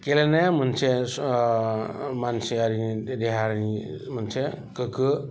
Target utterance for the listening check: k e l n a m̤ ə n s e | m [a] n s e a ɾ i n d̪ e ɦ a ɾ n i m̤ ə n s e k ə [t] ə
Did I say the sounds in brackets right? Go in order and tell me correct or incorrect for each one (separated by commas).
correct, incorrect